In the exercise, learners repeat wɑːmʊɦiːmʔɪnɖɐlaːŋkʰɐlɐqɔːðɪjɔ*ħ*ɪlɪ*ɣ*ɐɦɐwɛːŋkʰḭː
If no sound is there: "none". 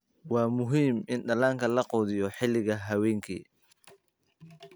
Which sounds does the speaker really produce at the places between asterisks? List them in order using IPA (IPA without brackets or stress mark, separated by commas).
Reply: ħ, ɣ